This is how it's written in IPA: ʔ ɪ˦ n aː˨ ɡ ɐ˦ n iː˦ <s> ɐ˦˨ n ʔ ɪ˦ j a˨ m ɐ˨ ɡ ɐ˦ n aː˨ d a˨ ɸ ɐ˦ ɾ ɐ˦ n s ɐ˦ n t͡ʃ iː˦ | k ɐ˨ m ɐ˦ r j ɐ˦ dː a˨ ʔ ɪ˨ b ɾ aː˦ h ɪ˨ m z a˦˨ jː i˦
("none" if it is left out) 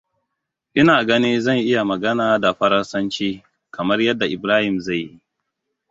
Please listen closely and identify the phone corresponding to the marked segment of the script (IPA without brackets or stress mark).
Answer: z